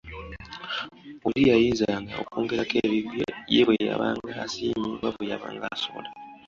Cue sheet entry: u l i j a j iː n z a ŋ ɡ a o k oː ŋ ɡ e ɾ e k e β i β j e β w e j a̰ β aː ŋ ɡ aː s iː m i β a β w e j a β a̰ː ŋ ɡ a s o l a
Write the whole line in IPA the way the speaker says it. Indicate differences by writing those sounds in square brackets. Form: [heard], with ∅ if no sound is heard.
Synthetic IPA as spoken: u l i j a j iː n z a ŋ ɡ a o k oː ŋ ɡ e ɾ [a] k e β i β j e β w e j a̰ β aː ŋ ɡ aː s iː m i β a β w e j a β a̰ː ŋ ɡ a s o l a